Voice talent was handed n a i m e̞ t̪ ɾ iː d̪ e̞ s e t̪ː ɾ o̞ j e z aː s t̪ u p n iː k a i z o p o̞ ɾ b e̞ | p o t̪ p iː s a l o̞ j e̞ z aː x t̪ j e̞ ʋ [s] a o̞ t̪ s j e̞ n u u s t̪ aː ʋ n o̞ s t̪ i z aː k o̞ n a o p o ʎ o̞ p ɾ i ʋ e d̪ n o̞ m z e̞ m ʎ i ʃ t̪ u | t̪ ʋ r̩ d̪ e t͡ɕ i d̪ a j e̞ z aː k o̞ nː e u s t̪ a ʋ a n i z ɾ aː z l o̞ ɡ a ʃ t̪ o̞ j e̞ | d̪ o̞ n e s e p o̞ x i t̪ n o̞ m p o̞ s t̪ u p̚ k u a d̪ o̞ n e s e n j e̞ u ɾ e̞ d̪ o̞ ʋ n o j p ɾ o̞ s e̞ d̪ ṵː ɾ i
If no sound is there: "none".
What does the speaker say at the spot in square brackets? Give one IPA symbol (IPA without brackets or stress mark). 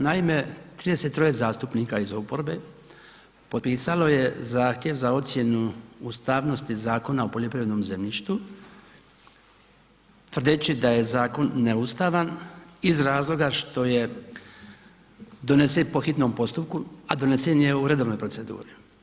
z